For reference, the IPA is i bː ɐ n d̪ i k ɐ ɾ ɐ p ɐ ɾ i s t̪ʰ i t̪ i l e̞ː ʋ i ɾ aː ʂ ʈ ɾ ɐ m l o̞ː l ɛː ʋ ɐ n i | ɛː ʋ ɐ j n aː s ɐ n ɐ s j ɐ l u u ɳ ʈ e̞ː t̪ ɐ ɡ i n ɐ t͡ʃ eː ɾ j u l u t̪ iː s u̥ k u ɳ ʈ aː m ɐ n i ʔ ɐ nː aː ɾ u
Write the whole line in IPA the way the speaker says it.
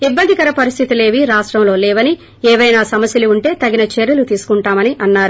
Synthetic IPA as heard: i bː ɐ n d̪ i k ɐ ɾ ɐ p ɐ ɾ i s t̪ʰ i t̪ i l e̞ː ʋ i ɾ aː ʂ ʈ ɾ ɐ m l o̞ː l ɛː ʋ ɐ n i | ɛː ʋ ɐ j n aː s ɐ m ɐ s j ɐ l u u ɳ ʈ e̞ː t̪ ɐ ɡ i n ɐ t͡ʃ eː ɾ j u l u t̪ iː s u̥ k u ɳ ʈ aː m ɐ n i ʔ ɐ nː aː ɾ u